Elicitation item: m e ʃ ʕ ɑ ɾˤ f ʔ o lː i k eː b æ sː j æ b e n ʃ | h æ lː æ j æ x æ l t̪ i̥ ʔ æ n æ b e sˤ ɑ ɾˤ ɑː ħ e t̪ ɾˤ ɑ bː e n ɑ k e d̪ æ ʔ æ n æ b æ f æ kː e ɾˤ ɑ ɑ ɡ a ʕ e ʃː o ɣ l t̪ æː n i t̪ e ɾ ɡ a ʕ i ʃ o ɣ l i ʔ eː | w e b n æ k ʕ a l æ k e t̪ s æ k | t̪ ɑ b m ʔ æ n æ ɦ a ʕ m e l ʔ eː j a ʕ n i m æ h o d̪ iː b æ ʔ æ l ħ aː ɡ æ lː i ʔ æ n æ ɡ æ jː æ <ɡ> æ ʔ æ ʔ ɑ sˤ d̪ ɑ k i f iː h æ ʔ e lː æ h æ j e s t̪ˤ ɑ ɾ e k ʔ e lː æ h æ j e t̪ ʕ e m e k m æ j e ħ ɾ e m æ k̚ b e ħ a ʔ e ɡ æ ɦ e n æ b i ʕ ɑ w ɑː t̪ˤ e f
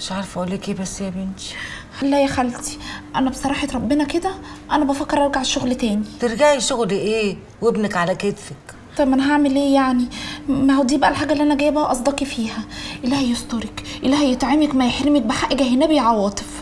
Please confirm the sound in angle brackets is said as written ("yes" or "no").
no